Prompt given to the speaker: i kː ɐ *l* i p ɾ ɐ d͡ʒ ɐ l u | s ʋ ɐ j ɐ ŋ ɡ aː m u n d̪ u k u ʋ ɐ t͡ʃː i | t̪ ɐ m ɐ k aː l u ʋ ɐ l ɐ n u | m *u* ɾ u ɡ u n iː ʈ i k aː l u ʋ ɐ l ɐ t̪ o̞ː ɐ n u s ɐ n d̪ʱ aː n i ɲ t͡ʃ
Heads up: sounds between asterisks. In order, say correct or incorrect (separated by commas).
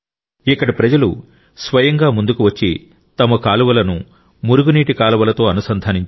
incorrect, correct